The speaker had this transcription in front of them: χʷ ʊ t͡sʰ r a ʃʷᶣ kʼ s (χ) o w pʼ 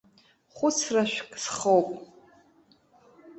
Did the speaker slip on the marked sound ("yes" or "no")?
no